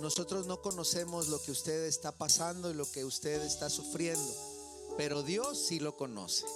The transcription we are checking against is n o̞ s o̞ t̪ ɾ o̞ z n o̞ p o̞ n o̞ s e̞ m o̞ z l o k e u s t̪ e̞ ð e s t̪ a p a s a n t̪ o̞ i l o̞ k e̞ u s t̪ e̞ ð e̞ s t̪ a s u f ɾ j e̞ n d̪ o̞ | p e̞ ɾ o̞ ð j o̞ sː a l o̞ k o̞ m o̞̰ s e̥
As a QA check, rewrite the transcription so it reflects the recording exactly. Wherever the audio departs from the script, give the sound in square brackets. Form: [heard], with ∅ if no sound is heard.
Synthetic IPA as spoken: n o̞ s o̞ t̪ ɾ o̞ z n o̞ [k] o̞ n o̞ s e̞ m o̞ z l o k e u s t̪ e̞ ð e s t̪ a p a s a n [d̪] o̞ i l o̞ k e̞ u s t̪ e̞ ð e̞ s t̪ a s u f ɾ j e̞ n d̪ o̞ | p e̞ ɾ o̞ ð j o̞ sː [i] l o̞ k o̞ [n] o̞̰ s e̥